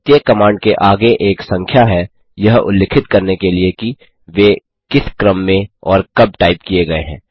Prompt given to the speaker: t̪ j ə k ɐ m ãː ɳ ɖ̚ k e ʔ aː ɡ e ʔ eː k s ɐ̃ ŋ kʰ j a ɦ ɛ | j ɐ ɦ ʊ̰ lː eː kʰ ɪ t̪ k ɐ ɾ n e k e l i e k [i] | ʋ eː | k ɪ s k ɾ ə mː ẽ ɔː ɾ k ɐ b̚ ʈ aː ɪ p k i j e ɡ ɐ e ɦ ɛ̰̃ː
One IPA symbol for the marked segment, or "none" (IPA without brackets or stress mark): i